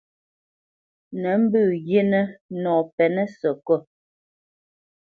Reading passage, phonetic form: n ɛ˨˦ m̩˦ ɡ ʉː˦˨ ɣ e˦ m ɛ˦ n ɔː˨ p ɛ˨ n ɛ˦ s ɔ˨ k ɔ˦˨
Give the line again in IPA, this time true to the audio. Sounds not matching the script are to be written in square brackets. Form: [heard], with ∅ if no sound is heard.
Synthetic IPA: n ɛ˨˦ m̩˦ [b] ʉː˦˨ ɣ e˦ [n] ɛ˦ n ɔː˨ p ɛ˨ n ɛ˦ s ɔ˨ k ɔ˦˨